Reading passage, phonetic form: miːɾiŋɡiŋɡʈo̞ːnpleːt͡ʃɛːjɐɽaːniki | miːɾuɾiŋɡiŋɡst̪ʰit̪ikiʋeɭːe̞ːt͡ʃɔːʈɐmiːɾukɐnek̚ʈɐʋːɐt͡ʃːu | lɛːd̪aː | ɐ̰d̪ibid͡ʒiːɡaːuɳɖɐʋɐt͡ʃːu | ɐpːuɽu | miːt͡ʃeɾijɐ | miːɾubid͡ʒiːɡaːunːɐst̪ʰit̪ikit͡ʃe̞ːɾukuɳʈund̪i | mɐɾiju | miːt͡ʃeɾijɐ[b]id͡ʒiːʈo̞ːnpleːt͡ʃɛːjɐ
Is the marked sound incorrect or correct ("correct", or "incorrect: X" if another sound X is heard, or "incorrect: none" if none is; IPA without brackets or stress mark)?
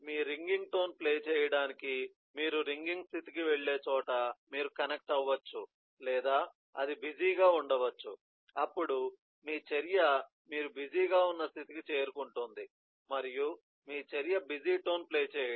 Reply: correct